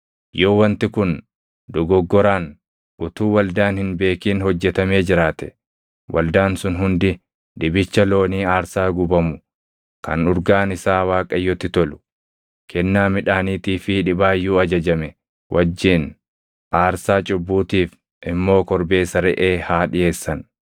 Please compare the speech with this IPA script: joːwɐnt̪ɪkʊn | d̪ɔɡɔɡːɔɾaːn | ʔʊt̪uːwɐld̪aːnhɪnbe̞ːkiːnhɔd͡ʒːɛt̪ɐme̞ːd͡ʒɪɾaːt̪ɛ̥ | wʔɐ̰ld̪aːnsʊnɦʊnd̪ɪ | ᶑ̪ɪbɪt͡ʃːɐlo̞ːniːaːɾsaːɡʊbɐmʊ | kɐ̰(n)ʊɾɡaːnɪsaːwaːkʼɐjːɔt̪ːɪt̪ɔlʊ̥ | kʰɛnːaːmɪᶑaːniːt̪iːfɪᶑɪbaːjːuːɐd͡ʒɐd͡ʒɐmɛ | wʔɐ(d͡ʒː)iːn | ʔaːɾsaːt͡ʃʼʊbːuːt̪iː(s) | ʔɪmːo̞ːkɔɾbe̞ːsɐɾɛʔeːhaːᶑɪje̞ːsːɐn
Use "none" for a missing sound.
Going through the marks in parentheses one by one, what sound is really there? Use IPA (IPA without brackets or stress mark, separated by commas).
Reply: n, d͡ʒː, f